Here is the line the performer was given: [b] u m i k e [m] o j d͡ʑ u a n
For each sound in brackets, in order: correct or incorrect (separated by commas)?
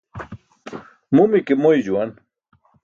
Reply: incorrect, correct